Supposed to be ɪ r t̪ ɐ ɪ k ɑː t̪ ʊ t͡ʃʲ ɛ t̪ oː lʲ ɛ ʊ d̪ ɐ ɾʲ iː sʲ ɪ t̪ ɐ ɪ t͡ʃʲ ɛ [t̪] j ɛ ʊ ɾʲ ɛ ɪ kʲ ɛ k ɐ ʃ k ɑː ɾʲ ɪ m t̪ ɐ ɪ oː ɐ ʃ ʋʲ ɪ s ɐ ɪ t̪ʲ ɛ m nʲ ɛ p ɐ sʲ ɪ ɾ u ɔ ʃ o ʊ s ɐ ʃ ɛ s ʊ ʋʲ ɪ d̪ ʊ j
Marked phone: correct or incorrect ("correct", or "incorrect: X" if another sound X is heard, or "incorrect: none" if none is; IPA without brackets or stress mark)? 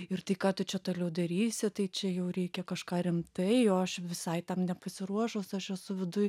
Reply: incorrect: none